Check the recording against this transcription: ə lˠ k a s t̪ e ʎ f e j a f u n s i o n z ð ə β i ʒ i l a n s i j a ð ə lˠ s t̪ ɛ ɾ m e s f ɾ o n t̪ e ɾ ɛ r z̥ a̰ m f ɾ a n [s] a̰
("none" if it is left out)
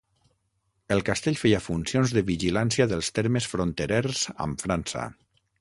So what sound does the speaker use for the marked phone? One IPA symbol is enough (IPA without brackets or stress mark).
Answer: s